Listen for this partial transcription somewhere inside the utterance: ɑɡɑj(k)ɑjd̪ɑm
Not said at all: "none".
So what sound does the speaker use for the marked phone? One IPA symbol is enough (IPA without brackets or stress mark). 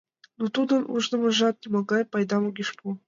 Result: p